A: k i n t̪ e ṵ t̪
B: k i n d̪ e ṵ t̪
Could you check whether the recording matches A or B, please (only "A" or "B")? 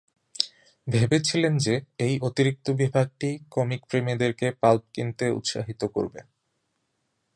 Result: A